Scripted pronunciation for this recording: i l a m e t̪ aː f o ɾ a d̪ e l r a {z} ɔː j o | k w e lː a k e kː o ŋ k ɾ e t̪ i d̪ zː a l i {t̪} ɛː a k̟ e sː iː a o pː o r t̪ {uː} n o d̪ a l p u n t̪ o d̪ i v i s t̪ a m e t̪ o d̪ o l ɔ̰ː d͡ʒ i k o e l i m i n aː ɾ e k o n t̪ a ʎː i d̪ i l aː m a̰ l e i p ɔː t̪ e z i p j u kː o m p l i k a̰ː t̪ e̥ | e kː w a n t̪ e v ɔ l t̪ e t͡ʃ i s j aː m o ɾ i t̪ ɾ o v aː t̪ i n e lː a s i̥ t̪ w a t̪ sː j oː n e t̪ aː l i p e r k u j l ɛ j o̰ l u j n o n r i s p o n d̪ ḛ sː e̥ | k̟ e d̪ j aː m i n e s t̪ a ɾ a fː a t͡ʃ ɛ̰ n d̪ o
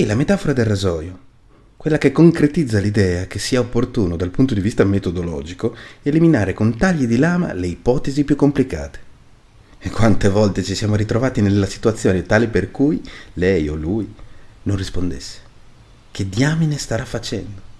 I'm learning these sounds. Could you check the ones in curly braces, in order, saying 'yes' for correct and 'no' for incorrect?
yes, no, yes

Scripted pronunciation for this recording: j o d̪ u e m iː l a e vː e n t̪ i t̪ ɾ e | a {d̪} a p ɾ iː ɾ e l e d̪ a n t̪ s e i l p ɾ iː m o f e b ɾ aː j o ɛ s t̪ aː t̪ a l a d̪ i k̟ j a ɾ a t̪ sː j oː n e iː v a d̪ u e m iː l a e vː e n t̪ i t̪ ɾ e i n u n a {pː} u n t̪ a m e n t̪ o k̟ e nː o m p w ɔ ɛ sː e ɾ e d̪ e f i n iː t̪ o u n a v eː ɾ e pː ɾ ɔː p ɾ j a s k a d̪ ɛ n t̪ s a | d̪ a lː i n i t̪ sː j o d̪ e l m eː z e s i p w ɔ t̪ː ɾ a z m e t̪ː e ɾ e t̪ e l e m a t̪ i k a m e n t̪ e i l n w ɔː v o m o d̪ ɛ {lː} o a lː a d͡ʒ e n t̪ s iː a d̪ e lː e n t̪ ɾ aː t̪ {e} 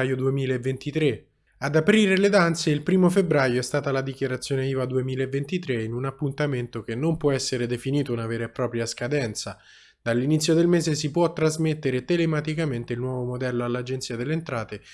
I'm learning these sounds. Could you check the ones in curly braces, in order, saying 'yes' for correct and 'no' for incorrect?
yes, yes, yes, yes

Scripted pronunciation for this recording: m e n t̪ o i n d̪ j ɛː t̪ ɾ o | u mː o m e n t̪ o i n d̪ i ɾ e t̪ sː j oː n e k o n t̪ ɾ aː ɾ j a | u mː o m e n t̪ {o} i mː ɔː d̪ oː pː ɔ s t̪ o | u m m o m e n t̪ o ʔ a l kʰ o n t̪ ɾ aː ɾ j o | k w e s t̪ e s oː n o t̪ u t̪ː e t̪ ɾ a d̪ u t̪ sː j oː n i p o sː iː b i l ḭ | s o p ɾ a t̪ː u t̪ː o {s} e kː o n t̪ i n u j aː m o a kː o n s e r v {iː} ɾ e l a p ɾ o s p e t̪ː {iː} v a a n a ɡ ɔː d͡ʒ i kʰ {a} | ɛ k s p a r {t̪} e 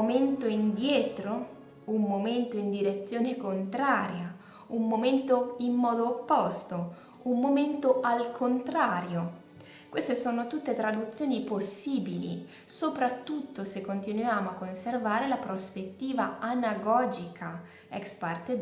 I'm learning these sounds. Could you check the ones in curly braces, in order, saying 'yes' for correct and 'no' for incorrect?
yes, yes, no, yes, yes, yes

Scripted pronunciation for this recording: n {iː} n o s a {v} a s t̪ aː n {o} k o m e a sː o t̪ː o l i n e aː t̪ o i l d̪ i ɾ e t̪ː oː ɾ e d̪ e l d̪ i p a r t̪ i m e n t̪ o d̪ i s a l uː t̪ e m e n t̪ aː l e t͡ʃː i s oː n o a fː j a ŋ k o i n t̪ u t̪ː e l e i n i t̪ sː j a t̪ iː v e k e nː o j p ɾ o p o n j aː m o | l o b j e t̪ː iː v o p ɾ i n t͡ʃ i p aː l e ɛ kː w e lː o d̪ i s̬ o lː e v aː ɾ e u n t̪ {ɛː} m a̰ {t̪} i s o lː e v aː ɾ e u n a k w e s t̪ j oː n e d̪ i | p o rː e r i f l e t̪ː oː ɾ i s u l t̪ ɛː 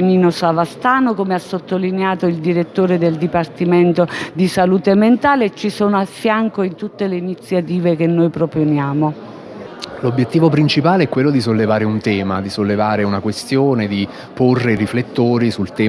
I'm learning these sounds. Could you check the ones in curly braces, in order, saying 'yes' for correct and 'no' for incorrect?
yes, yes, yes, yes, no

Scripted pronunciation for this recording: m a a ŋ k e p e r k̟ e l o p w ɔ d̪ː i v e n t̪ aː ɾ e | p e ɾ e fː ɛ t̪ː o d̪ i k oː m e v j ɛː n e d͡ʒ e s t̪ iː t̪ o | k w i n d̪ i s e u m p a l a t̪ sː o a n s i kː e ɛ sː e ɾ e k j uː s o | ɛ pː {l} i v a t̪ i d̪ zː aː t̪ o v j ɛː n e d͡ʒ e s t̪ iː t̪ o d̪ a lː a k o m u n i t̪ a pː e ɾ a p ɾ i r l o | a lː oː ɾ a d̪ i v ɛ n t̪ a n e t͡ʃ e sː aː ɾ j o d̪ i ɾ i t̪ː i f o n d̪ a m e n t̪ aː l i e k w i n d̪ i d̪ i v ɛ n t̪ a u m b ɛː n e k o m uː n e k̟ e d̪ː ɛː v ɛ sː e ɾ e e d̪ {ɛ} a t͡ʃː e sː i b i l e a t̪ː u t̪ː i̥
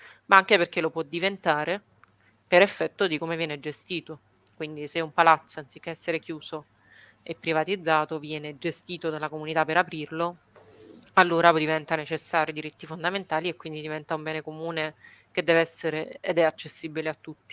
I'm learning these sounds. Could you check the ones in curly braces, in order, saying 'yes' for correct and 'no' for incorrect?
no, yes

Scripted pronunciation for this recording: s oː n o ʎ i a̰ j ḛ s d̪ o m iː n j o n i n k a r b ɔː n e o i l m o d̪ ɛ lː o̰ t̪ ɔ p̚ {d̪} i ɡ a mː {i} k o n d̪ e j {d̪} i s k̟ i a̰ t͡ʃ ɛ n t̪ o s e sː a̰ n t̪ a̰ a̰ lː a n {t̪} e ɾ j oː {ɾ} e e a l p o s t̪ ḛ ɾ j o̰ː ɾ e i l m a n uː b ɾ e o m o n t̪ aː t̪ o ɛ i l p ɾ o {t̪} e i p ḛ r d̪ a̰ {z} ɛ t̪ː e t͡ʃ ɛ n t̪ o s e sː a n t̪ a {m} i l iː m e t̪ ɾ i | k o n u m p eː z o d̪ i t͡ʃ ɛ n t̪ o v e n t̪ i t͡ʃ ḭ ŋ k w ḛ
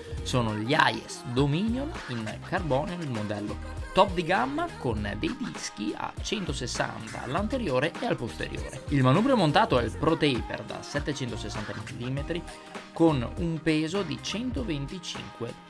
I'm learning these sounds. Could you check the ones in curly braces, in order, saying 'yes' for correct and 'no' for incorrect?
yes, no, yes, yes, yes, yes, no, yes

